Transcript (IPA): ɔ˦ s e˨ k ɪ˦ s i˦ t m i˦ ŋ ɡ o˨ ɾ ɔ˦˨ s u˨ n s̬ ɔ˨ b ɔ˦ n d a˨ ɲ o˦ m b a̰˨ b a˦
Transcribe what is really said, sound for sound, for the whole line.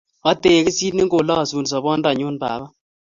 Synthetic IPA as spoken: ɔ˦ t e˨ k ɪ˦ s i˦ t n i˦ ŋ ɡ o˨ l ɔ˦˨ s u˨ n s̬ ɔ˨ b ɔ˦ n d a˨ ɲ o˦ n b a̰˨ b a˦